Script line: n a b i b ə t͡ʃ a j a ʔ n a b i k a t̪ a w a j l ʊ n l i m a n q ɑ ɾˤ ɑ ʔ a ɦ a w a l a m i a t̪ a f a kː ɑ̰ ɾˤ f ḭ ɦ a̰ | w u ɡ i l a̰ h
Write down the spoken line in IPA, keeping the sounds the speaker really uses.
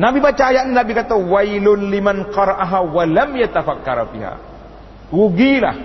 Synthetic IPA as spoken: n a b i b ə t͡ʃ a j a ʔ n a b i k a t̪ a w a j l ʊ n l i m a n q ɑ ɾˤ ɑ ʔ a ɦ a w a l a m j a t̪ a f a kː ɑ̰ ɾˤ f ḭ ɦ a̰ | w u ɡ i l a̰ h